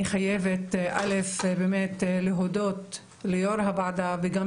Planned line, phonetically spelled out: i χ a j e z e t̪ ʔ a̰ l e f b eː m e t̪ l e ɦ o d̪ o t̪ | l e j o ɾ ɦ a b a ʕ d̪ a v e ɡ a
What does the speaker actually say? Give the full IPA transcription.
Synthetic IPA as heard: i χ a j e v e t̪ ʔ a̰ l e f b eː m e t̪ l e ɦ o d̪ o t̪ | l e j o ɾ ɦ a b a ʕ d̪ a v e ɡ a